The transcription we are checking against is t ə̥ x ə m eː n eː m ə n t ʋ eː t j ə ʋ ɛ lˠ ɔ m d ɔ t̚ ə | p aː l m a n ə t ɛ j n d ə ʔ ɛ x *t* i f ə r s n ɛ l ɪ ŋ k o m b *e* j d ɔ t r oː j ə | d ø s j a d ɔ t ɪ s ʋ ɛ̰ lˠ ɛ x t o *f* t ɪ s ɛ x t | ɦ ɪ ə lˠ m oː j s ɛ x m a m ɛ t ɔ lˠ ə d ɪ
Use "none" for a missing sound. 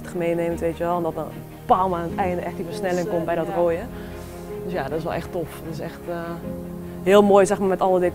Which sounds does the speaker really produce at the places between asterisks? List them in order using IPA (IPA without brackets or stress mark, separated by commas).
t, ɛ, f